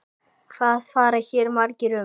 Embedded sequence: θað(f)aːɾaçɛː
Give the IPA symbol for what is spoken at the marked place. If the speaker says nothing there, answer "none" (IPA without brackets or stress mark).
f